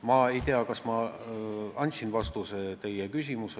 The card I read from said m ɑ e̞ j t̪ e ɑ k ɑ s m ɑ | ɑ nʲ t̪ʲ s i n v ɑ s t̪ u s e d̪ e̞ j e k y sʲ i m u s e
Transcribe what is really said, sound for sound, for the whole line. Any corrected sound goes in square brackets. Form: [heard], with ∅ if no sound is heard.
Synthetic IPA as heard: m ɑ e̞ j t̪ e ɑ k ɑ s m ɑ | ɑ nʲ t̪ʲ s i n v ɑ s t̪ u s e [t̪] e̞ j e k y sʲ i m u s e